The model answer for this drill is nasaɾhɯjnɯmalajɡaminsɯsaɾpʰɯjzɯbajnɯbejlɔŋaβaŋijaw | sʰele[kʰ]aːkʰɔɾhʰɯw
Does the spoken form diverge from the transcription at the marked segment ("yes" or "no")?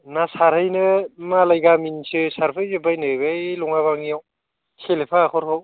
yes